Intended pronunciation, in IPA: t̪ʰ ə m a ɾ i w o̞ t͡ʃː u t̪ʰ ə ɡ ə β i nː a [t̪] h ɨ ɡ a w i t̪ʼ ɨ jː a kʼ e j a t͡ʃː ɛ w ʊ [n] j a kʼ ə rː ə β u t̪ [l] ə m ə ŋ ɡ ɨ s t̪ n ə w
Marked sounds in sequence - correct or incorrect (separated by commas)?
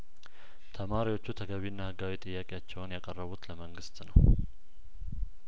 incorrect, correct, correct